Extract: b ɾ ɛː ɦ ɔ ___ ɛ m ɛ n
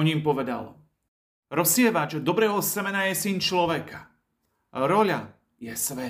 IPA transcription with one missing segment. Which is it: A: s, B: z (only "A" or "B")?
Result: A